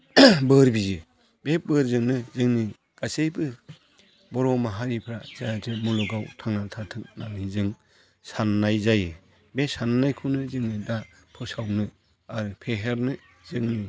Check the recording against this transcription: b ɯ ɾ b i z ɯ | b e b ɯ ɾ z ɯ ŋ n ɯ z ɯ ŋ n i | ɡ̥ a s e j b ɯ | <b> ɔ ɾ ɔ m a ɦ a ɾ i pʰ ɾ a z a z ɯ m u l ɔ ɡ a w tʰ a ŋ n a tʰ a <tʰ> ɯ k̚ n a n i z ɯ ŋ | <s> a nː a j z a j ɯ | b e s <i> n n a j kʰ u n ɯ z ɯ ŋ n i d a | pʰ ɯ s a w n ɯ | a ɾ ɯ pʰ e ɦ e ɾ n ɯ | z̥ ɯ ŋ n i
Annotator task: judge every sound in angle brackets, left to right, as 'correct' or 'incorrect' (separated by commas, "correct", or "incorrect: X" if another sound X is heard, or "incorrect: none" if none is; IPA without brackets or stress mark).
correct, correct, correct, incorrect: a